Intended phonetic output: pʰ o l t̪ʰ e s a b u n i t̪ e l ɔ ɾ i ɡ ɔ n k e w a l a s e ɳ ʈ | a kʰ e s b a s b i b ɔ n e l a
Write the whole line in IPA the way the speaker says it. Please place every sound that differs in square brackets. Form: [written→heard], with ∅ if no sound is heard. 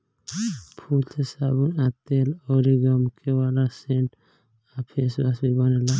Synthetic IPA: pʰ [o→u] l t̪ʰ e s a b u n [i→a] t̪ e l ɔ ɾ i ɡ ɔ [n→m] k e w a l a s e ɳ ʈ | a [kʰ→pʰ] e s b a s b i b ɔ n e l a